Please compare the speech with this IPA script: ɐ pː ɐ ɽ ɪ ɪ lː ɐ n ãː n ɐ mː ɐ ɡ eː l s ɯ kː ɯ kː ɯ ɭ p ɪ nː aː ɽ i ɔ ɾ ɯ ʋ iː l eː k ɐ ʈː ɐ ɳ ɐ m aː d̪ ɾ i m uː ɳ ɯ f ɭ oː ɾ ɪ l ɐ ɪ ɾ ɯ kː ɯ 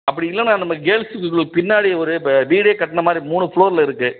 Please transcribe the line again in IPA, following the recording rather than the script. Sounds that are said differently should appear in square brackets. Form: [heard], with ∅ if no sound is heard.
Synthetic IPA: ɐ pː ɐ ɽ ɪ ɪ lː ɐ n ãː n ɐ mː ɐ ɡ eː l s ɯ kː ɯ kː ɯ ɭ p ɪ nː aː ɽ i ɔ ɾ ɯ ʋ iː [ɽ] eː k ɐ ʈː ɐ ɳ ɐ m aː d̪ ɾ i m uː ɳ ɯ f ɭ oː ɾ ɪ l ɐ ɪ ɾ ɯ kː ɯ